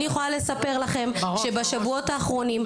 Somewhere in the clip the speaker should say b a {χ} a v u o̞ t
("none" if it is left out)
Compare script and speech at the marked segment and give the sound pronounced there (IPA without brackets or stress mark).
ʃ